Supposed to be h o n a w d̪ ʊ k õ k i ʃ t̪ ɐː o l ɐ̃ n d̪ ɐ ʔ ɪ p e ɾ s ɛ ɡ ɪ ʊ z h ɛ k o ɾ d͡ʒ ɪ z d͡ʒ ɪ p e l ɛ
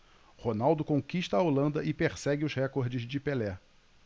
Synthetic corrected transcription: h o n a w d̪ ʊ k õ k i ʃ t̪ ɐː o l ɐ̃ n d̪ ɐ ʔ ɪ p e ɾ s ɛ ɡ ɪ ʊ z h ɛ k o ɾ d͡ʒ ɪ z d͡ʒ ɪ p e l ɛ